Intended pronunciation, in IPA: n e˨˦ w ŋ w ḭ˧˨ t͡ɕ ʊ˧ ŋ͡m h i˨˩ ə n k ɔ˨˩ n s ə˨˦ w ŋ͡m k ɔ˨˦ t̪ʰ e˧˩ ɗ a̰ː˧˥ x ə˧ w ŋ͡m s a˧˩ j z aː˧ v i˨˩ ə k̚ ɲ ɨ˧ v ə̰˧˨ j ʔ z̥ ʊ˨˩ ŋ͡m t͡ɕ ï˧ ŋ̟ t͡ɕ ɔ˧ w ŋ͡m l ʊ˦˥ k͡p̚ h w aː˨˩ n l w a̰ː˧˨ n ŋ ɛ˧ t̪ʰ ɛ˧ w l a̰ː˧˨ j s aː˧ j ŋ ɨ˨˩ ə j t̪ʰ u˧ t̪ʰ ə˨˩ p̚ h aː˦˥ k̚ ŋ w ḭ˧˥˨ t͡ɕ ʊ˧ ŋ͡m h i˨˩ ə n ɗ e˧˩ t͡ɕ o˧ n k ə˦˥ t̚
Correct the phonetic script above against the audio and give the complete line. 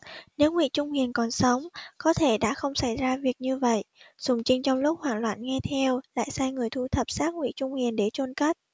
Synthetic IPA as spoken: n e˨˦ w ŋ w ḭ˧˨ t͡ɕ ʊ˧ ŋ͡m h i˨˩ ə n k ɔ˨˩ n s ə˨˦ w ŋ͡m k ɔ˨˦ t̪ʰ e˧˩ ɗ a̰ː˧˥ x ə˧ w ŋ͡m s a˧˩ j z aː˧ v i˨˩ ə k̚ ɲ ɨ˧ v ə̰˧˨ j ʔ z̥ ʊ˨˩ ŋ͡m t͡ɕ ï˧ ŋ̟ t͡ɕ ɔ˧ w ŋ͡m l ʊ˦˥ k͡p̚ h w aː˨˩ n l w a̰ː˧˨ n ŋ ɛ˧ t̪ʰ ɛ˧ w l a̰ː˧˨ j s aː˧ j ŋ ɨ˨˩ ə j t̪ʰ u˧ t̪ʰ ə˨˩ p̚ s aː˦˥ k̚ ŋ w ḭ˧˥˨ t͡ɕ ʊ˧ ŋ͡m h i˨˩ ə n ɗ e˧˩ t͡ɕ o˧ n k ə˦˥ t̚

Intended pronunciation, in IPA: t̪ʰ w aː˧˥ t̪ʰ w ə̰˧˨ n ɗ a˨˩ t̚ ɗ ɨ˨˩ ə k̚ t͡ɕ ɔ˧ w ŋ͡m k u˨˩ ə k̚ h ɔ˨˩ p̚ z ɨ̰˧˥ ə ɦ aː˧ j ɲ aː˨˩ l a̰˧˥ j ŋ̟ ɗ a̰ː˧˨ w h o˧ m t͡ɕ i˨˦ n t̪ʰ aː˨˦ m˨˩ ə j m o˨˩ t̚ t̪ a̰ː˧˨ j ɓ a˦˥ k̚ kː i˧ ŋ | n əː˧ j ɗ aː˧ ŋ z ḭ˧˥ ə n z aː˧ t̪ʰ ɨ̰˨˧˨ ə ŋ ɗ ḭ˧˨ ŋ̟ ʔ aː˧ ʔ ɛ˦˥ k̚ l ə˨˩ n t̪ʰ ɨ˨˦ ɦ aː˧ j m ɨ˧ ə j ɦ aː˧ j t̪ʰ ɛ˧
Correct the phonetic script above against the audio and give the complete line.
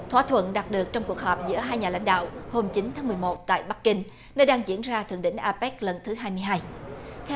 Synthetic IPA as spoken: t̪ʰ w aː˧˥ t̪ʰ w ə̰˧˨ n ɗ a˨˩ t̚ ɗ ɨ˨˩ ə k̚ t͡ɕ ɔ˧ w ŋ͡m k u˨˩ ə k̚ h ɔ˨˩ p̚ z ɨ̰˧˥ ə ɦ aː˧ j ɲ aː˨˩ l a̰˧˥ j ŋ̟ ɗ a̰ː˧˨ w h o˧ m t͡ɕ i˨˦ n t̪ʰ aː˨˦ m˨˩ ə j m o˨˩ t̚ t̪ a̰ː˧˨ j ɓ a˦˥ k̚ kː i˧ ŋ | n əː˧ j ɗ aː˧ ŋ z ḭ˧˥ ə n z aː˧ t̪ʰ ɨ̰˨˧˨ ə ŋ ɗ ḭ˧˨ ŋ̟ ʔ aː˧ p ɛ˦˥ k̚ l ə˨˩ n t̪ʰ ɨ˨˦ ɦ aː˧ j m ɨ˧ ə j ɦ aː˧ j t̪ʰ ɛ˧

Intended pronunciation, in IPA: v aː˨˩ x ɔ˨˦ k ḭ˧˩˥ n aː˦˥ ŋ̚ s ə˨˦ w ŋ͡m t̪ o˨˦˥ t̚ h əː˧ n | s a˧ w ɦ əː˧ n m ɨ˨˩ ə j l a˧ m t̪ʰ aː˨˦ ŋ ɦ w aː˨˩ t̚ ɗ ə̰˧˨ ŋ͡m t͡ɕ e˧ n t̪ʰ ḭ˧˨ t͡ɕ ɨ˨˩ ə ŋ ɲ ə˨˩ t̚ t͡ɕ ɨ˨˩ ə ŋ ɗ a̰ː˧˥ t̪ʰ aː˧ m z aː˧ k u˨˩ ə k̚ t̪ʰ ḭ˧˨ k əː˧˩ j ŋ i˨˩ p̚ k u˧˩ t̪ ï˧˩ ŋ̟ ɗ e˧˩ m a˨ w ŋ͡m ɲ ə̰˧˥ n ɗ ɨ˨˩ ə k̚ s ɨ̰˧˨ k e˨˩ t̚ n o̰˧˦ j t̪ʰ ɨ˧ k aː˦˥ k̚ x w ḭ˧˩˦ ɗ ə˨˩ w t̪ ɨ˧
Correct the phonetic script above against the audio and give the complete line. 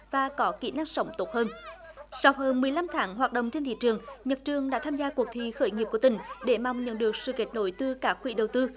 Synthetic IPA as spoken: v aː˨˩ k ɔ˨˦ k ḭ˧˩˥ n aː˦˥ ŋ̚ s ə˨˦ w ŋ͡m t̪ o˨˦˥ t̚ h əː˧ n | s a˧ w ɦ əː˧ n m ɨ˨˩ ə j l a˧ m t̪ʰ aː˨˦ ŋ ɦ w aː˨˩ t̚ ɗ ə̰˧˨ ŋ͡m t͡ɕ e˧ n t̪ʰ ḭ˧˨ t͡ɕ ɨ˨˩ ə ŋ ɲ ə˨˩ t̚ t͡ɕ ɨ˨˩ ə ŋ ɗ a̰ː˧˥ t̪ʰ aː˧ m z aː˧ k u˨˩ ə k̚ t̪ʰ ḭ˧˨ x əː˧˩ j ŋ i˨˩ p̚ k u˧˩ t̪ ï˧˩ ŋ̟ ɗ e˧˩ m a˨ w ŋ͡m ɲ ə̰˧˥ n ɗ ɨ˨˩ ə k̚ s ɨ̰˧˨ k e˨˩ t̚ n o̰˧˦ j t̪ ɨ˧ k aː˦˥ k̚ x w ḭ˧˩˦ ɗ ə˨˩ w t̪ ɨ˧

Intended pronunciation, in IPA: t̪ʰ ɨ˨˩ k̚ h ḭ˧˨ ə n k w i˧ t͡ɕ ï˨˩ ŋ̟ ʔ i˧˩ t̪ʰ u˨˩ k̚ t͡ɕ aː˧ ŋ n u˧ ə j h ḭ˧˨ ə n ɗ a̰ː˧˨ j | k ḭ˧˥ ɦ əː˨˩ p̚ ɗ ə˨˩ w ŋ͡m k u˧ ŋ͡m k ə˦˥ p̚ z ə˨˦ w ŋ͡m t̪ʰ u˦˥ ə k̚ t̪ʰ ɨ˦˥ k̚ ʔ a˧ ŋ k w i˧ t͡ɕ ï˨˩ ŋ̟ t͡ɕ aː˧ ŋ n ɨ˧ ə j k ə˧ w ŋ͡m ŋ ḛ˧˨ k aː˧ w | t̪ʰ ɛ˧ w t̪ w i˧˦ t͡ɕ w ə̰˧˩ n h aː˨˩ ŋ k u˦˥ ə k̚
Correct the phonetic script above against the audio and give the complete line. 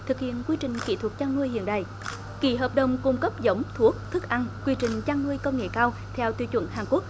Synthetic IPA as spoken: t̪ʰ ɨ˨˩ k̚ h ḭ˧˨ ə n k w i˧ t͡ɕ ï˨˩ ŋ̟ k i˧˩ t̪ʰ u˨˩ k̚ t͡ɕ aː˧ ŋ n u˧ ə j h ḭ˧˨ ə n ɗ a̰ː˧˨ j | k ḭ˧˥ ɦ əː˨˩ p̚ ɗ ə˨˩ w ŋ͡m k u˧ ŋ͡m k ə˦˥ p̚ z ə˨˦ w ŋ͡m t̪ʰ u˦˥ ə k̚ t̪ʰ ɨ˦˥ k̚ ʔ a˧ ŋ k w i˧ t͡ɕ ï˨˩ ŋ̟ t͡ɕ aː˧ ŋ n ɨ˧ ə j k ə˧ w ŋ͡m ŋ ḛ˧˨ k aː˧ w | t̪ʰ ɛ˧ w t̪ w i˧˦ t͡ɕ w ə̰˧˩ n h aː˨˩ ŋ k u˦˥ ə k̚

